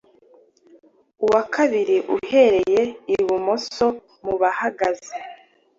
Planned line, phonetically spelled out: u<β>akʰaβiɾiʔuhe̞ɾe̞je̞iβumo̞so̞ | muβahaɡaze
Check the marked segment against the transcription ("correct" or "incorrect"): incorrect